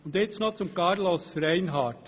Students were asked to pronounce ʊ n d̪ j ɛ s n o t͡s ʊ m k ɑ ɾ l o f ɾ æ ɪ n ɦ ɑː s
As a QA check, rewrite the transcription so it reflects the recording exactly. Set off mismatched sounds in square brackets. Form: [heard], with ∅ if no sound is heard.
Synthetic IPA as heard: ʊ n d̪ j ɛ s n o t͡s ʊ m k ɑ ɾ l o [s] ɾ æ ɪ n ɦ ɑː [t]